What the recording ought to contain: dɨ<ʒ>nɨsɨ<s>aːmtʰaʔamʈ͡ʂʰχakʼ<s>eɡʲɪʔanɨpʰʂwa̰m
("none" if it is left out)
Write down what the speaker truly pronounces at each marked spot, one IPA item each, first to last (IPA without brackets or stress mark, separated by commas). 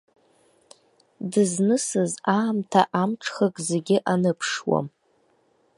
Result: z, z, z